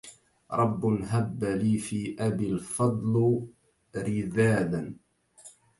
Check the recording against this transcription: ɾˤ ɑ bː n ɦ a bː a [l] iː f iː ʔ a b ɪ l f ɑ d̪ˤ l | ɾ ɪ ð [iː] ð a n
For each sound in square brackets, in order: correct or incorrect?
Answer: correct, incorrect: aː

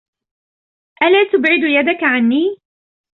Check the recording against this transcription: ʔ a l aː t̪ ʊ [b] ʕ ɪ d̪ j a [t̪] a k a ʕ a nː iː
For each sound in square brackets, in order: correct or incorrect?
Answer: correct, incorrect: d̪

